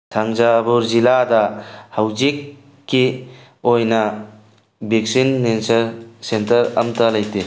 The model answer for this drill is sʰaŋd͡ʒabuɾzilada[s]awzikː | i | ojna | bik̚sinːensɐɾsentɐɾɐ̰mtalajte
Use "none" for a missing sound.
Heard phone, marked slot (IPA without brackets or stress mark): h